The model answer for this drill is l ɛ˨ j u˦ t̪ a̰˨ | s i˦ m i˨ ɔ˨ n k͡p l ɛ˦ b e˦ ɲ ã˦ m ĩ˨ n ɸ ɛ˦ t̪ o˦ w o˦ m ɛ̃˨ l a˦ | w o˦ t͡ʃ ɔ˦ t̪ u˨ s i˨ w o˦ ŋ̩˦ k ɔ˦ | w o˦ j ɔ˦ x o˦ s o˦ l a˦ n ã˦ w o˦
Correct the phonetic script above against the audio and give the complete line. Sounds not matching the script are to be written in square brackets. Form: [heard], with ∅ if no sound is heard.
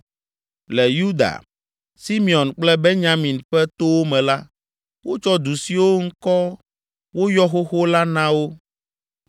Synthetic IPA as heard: l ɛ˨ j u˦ [d̪] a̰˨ | s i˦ m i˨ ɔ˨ n k͡p l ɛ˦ b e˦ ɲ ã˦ m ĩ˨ n ɸ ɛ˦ t̪ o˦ w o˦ m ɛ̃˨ l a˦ | w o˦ t͡ʃ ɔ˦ [d̪] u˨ s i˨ w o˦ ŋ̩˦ k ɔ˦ | w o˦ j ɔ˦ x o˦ [x] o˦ l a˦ n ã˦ w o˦